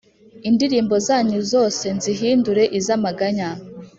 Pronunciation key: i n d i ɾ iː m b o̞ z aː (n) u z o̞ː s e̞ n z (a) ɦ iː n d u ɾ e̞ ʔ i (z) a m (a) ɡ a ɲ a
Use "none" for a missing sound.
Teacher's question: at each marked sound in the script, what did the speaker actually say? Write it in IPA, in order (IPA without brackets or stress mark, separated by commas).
ɲ, i, z, a